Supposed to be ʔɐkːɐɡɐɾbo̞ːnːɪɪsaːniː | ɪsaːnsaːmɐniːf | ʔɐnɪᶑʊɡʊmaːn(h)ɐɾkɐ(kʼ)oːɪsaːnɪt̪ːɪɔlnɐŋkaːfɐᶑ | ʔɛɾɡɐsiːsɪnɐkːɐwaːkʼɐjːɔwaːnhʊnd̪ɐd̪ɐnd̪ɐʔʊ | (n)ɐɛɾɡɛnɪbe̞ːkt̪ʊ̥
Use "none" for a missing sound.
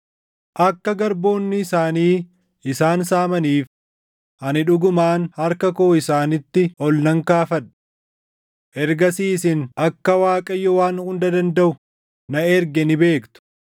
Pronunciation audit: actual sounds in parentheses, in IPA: h, k, n

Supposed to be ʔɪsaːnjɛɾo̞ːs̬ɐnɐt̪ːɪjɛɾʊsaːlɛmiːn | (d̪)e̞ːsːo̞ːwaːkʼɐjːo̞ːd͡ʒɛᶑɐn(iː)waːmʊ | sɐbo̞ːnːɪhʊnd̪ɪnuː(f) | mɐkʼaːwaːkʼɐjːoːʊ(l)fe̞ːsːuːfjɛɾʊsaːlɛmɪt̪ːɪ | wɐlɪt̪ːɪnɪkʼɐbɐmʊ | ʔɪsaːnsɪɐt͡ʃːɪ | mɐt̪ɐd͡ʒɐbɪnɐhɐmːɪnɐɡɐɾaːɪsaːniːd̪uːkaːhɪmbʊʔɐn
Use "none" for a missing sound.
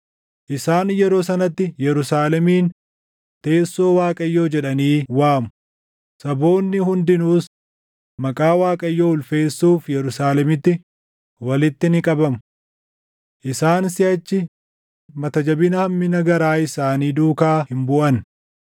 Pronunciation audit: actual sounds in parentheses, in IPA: t̪, iː, s, l

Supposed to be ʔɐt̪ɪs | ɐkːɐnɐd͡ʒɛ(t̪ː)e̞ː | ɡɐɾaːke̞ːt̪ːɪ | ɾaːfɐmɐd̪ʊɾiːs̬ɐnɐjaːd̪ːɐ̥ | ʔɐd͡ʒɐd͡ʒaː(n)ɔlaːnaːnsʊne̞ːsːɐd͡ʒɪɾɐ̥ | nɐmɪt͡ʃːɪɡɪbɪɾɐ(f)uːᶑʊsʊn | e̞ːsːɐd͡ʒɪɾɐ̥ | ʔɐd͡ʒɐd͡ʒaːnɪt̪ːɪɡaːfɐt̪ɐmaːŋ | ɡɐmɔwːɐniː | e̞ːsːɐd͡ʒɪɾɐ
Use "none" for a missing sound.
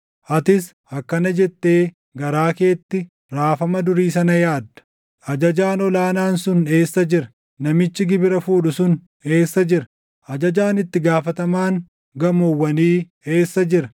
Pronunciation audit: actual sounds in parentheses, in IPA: t̪ː, n, f

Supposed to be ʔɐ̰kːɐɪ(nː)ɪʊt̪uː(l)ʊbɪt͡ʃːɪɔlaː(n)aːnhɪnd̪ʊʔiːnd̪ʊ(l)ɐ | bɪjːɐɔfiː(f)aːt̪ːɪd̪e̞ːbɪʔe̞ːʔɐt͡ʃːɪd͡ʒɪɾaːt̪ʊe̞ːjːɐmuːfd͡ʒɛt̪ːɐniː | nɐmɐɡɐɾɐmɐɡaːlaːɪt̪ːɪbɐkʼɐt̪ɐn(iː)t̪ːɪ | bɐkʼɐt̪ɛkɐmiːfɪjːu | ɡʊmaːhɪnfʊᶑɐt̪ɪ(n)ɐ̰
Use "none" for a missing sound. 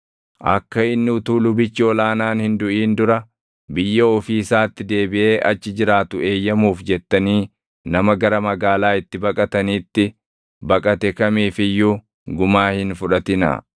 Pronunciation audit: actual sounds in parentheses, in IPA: nː, l, n, ɾ, s, iː, n

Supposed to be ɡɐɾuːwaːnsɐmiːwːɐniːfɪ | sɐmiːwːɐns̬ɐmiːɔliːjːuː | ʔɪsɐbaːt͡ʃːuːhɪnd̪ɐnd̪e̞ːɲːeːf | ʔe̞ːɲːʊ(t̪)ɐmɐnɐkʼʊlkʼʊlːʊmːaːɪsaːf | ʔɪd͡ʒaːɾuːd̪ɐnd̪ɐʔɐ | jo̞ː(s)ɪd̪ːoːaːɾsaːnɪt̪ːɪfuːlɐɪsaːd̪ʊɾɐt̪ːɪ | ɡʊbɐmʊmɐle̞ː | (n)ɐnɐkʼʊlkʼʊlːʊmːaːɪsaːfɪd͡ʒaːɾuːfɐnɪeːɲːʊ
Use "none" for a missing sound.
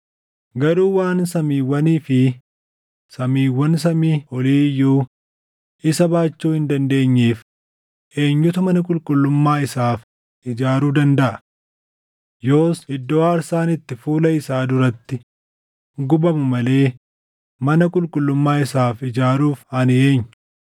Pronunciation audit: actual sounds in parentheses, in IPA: t̪, s, m

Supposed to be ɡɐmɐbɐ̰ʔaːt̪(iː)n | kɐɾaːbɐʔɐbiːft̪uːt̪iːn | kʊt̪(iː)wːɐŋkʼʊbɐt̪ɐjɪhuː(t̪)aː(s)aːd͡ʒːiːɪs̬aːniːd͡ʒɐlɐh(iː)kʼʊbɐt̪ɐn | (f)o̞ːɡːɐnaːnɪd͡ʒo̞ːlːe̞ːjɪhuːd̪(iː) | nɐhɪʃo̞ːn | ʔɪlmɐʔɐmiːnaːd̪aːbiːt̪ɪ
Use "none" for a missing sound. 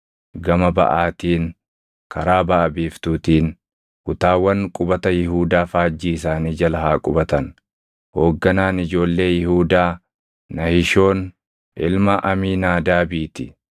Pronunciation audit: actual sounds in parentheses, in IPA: iː, aː, d̪, f, aː, h, aː

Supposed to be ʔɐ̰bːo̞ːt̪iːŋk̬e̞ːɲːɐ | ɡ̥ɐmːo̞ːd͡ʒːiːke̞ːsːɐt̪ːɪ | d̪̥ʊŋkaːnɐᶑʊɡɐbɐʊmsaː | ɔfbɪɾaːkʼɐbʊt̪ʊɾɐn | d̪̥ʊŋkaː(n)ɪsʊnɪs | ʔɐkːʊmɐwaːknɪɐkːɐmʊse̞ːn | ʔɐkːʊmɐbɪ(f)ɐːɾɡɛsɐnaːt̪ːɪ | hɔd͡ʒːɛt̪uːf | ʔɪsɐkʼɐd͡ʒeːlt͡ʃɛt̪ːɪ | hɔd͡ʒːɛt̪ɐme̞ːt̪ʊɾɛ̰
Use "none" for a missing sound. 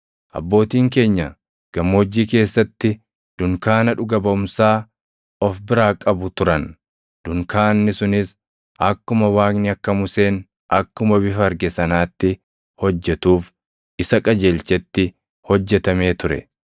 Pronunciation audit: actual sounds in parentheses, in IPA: nː, f

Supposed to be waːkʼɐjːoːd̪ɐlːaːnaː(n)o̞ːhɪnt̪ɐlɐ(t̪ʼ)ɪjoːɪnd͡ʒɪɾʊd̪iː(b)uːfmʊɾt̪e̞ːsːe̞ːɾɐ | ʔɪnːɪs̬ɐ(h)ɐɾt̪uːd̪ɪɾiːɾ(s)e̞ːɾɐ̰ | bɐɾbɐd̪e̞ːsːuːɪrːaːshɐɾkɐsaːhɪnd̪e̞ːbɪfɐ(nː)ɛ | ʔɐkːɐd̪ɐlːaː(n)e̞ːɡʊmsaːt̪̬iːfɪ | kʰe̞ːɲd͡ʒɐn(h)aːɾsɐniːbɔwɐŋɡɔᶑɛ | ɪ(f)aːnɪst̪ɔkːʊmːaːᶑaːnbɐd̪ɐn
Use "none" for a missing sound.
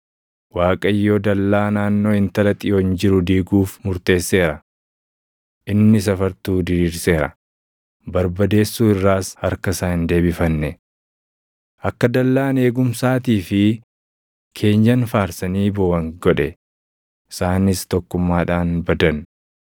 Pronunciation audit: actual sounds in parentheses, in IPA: nː, t̪ʼ, ɡ, f, s, nː, n, f, s

